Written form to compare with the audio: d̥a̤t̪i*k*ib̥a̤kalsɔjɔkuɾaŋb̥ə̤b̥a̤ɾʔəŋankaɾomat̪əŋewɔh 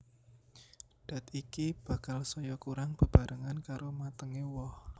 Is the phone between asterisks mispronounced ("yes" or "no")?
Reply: no